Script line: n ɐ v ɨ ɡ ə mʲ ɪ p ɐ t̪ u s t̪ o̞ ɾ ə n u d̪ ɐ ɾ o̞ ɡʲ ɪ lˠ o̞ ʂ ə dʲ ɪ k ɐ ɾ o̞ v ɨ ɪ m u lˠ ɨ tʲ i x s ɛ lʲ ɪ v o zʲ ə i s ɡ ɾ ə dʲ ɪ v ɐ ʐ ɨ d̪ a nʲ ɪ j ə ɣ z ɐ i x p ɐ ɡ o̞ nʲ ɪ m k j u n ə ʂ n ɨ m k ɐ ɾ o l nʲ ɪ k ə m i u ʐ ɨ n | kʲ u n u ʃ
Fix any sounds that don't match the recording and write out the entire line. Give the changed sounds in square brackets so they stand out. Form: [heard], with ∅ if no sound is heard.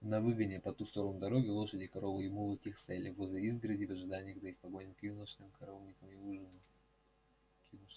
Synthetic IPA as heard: n ɐ v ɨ ɡ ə [nʲ] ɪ p ɐ t̪ u s t̪ o̞ ɾ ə n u d̪ ɐ ɾ o̞ ɡʲ ɪ lˠ o̞ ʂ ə dʲ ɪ k ɐ ɾ o̞ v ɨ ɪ m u lˠ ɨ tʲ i x s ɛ lʲ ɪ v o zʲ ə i [z] ɡ ɾ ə dʲ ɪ v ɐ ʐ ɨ d̪ a nʲ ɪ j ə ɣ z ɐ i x p ɐ ɡ o̞ nʲ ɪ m k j u n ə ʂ n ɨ m k ɐ ɾ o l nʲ ɪ k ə m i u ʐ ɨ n | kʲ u n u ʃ